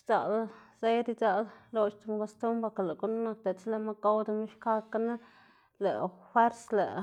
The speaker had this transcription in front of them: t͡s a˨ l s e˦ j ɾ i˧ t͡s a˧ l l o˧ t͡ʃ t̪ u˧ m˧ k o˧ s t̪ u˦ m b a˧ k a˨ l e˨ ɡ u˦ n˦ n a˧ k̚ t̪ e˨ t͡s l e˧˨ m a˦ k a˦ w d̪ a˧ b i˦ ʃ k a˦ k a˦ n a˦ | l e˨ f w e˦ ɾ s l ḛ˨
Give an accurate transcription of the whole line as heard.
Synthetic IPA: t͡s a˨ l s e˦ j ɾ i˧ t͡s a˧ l l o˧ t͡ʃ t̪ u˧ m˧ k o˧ s t̪ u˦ m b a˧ k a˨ l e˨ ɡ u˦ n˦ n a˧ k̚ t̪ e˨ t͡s l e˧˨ m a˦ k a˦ w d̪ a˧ m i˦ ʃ k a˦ k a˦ n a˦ | l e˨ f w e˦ ɾ s l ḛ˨